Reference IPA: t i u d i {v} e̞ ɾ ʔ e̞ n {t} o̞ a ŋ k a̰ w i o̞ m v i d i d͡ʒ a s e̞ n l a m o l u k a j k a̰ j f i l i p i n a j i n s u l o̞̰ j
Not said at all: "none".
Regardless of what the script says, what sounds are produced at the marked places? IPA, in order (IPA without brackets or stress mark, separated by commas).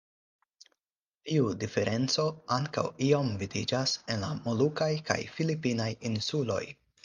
f, t͡s